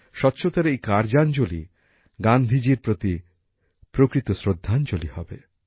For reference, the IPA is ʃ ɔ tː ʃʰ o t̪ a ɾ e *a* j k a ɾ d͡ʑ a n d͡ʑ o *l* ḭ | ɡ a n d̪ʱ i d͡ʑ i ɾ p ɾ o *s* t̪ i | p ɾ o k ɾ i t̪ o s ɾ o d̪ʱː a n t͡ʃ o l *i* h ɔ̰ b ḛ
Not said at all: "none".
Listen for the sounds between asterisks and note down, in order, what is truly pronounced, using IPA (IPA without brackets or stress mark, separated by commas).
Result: e, l, none, i